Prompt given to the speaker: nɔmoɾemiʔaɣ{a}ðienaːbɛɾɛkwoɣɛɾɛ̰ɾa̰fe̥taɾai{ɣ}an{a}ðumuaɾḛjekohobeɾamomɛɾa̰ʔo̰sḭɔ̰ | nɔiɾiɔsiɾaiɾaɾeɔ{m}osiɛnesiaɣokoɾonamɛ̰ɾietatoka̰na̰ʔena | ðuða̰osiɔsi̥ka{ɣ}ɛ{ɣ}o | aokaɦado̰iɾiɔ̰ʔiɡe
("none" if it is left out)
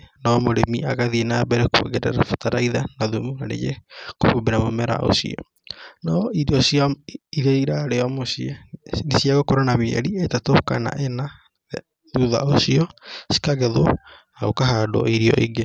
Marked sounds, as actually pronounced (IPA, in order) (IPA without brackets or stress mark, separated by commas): a, ð, a, m, ɣ, ð